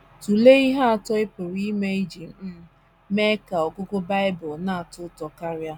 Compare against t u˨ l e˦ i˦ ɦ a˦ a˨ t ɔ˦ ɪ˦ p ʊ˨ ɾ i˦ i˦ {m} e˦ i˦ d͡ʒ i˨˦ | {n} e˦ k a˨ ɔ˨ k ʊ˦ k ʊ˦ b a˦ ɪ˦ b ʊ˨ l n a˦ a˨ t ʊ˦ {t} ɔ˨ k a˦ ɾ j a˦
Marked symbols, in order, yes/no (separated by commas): yes, no, yes